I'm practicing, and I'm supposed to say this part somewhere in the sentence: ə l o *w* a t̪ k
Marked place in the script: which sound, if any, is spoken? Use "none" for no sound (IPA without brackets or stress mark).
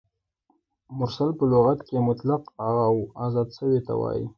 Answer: ɣ